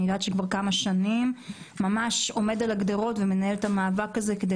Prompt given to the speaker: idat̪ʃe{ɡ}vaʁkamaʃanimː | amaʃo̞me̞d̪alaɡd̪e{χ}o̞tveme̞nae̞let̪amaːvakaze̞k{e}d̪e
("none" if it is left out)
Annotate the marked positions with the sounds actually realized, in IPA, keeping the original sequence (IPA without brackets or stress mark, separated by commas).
k, ʁ, e